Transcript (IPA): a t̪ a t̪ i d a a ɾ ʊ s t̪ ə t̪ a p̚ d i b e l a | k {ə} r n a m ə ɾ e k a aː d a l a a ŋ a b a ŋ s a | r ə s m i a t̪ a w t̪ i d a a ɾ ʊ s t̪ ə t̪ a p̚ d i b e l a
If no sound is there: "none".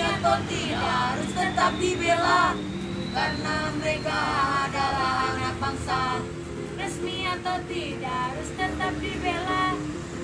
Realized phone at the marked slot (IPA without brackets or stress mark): a